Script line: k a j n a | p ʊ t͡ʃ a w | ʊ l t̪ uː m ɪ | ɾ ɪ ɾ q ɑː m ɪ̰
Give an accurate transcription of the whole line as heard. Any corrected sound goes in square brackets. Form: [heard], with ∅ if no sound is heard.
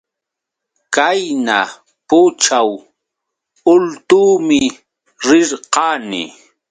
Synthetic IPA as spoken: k a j n a | p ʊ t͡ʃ a w | ʊ l t̪ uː m ɪ | ɾ ɪ ɾ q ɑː [n] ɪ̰